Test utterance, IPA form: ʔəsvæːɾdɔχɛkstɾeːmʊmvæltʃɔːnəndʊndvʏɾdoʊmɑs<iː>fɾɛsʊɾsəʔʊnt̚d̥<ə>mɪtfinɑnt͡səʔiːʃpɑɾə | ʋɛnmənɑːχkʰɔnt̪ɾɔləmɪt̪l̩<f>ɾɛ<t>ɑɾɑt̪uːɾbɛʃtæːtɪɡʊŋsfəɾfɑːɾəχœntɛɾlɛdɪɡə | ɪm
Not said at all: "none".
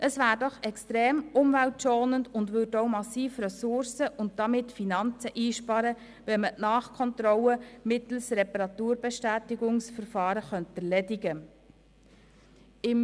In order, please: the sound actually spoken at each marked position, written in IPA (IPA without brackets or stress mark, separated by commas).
iː, ɑ, s, p